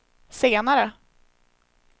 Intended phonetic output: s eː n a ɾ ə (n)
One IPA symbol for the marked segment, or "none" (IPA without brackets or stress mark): none